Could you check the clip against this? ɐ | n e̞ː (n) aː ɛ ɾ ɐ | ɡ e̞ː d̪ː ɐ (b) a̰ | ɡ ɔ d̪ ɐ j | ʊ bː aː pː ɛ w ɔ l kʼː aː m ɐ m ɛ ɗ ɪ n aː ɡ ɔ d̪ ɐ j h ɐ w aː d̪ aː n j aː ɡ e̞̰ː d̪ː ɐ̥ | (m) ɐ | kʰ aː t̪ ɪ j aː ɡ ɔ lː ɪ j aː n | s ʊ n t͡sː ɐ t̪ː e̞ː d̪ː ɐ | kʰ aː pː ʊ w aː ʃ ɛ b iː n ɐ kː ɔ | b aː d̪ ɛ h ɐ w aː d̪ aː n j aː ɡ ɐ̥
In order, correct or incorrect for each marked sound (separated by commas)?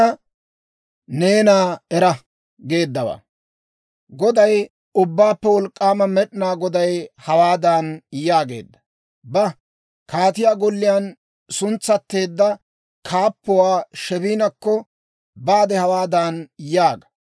correct, incorrect, incorrect